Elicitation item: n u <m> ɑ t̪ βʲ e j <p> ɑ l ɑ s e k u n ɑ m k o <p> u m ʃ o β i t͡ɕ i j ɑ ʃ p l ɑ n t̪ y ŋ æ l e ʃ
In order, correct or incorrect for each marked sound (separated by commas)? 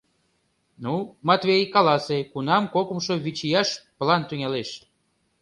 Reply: correct, incorrect, incorrect